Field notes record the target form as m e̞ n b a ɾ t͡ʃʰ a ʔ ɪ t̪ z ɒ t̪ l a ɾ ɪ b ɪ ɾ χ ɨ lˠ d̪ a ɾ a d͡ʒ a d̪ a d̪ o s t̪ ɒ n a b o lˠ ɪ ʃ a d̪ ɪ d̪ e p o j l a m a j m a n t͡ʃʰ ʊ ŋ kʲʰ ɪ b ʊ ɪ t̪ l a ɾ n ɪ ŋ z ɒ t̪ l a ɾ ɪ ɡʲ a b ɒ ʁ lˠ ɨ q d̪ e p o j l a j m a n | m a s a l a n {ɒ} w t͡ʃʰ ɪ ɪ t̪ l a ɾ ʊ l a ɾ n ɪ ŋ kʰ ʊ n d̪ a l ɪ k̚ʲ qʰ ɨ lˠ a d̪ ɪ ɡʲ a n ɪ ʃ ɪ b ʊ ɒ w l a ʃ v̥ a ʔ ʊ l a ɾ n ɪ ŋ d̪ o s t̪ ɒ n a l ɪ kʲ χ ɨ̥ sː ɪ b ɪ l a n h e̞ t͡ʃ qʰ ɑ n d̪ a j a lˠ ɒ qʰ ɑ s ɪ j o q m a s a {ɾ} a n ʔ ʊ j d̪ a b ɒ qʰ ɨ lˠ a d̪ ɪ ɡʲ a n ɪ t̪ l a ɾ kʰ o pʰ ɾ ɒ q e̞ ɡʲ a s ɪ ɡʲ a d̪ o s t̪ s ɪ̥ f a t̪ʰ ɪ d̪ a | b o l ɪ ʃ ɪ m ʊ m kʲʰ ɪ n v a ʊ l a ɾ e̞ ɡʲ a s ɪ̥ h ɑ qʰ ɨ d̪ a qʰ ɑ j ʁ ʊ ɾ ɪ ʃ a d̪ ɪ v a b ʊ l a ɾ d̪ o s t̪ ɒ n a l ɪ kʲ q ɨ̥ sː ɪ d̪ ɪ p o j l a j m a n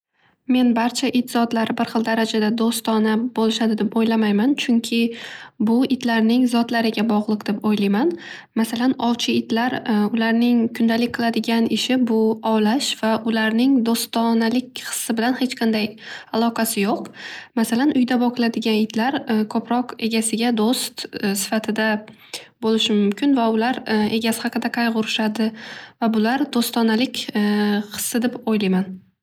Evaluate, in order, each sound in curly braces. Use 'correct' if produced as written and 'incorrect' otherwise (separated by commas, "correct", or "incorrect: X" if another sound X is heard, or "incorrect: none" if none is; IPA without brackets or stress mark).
correct, incorrect: l